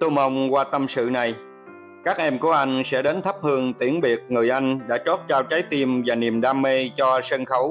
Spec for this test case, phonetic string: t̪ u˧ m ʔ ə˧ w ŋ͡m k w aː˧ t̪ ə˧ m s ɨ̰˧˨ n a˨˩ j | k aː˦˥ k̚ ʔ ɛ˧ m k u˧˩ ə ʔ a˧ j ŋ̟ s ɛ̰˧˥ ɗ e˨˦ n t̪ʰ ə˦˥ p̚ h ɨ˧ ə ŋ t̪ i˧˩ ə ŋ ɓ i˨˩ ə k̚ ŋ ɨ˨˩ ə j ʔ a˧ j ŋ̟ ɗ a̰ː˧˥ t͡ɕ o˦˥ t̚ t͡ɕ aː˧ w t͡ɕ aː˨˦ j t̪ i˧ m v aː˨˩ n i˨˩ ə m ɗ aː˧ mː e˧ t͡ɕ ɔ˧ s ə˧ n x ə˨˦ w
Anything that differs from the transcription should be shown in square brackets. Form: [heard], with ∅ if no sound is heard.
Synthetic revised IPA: t̪ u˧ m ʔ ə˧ w ŋ͡m k w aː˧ t̪ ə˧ m s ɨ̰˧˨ n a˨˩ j | k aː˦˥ k̚ ʔ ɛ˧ m k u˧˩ ə ʔ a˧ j ŋ̟ s ɛ̰˧˥ ɗ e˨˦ n t̪ʰ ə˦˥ p̚ h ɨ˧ ə ŋ t̪ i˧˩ ə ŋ ɓ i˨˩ ə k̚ ŋ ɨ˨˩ ə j ʔ a˧ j ŋ̟ ɗ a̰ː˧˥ t͡ɕ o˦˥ t̚ t͡ɕ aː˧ w t͡ɕ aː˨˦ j t̪ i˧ m v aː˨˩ n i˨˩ ə m ɗ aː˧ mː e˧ t͡ɕ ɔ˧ s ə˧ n x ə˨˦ w